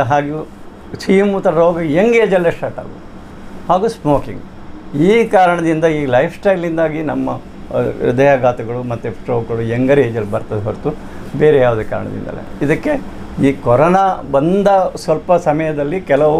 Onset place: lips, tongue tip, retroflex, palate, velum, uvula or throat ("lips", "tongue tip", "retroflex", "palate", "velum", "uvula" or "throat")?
throat